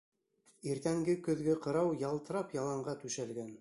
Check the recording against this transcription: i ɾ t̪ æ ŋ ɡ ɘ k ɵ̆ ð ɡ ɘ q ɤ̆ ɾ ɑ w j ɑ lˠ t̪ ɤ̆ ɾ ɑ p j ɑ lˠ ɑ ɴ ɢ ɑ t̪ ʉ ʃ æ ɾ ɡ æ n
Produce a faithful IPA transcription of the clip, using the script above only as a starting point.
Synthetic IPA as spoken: i ɾ t̪ æ ŋ ɡ ɘ k ɵ̆ ð ɡ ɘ q ɤ̆ ɾ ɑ w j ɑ lˠ t̪ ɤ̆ ɾ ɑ p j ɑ lˠ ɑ ɴ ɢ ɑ t̪ ʉ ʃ æ l ɡ æ n